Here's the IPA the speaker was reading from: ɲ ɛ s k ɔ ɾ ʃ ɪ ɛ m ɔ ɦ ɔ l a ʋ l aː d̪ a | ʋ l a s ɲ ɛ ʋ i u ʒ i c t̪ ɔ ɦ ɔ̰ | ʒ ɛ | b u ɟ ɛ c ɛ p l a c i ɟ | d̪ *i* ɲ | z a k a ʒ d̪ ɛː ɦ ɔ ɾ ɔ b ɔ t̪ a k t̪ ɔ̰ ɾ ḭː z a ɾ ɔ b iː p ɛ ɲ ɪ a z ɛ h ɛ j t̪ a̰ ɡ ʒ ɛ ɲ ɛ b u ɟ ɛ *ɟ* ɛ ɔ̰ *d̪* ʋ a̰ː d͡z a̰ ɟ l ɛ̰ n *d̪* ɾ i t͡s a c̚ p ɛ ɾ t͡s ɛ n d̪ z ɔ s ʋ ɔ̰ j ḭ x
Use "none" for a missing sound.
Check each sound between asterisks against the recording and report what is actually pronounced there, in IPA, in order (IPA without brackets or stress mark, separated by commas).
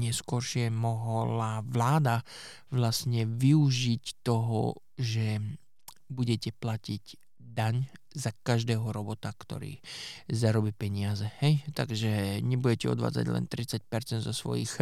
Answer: a, c, d̪, t̪